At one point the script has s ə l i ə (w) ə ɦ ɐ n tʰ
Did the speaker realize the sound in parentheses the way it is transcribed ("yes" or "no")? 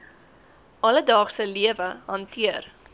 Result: no